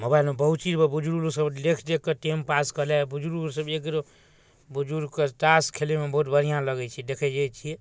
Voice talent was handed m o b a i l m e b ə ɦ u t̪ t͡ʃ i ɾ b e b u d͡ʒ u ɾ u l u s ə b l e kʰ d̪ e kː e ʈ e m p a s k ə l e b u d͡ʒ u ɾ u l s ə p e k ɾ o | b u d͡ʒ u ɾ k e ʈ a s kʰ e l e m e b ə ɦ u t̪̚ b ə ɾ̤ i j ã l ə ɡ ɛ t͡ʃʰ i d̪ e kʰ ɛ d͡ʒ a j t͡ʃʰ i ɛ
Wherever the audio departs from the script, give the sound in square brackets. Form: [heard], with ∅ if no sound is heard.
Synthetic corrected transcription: m o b a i l m e b ə ɦ u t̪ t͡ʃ i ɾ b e b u d͡ʒ u ɾ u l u s ə b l e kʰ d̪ e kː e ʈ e m p a s k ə l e b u d͡ʒ u ɾ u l s ə [b] e k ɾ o | b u d͡ʒ u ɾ k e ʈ a s kʰ e l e m e b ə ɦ u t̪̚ b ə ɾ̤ i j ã l ə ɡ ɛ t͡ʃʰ i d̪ e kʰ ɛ d͡ʒ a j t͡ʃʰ i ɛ